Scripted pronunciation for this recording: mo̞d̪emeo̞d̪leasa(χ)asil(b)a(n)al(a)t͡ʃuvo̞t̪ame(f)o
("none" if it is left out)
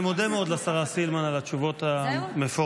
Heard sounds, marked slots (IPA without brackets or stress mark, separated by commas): ʁ, m, n, a, f